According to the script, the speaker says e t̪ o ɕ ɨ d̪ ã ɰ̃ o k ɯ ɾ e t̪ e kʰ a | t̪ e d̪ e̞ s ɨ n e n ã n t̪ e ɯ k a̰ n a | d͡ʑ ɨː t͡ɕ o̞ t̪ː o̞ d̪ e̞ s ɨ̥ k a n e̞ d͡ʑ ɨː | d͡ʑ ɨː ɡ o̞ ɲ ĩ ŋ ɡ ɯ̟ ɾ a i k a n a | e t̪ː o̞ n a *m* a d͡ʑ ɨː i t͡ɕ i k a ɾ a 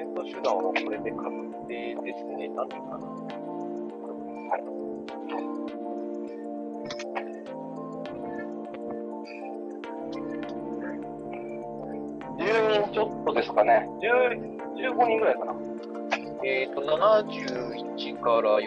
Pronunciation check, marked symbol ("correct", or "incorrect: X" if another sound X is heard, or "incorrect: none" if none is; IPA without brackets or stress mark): incorrect: n